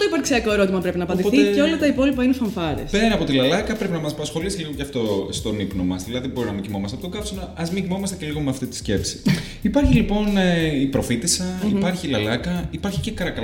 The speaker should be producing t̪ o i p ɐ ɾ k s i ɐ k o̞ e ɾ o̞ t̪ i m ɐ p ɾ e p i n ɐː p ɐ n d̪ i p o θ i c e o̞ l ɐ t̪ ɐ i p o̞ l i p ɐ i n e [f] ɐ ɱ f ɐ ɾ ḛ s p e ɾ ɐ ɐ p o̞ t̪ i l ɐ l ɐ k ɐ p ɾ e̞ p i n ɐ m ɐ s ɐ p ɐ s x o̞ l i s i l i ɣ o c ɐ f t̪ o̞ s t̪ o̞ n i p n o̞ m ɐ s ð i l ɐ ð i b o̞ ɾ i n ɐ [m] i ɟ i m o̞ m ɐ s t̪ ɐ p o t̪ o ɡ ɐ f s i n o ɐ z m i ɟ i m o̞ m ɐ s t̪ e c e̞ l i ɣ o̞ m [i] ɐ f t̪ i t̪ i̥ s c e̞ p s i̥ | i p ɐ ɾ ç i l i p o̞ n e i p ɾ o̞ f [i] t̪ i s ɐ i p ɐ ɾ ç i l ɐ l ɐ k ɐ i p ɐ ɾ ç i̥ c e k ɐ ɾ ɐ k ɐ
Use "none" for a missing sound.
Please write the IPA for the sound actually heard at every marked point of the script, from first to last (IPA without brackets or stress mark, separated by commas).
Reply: f, m, e, i